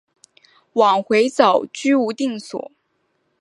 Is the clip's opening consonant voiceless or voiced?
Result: voiced